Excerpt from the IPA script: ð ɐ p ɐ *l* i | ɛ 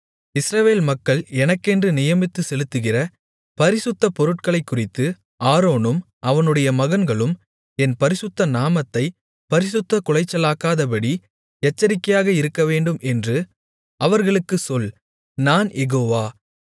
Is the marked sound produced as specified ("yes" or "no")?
no